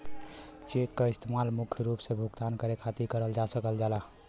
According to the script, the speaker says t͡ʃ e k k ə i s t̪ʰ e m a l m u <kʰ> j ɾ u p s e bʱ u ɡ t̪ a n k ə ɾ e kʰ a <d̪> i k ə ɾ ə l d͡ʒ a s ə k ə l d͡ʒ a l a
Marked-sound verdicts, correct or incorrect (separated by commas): correct, incorrect